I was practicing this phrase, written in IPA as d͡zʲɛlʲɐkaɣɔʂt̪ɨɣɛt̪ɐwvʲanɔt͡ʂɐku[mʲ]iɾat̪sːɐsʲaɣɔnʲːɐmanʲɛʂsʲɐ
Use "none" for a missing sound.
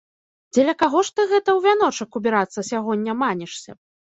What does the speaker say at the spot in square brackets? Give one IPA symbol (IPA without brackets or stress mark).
bʲ